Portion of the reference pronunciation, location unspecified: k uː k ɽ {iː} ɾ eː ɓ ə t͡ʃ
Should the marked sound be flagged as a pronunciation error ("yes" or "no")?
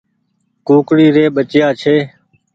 no